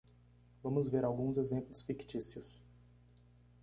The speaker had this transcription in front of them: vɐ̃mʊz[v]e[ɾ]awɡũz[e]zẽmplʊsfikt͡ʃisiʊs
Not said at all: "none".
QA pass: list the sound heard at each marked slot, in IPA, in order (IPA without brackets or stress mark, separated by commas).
v, ɾ, e